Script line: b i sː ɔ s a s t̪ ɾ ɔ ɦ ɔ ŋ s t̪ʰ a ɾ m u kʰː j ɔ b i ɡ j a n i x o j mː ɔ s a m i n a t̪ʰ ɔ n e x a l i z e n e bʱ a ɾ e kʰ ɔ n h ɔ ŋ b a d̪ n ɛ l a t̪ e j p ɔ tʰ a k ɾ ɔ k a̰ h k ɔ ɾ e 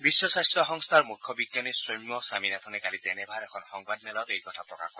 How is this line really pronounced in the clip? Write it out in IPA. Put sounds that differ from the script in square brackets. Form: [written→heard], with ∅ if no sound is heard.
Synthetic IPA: b i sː ɔ s a s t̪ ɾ ɔ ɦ ɔ ŋ s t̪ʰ a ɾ m u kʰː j ɔ b i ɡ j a n i [x→s] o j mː ɔ s a m i n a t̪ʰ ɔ n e [x→k] a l i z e n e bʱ a ɾ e kʰ ɔ n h ɔ ŋ b a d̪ n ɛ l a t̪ e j [p→k] ɔ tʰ a [k→p] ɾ ɔ k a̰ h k ɔ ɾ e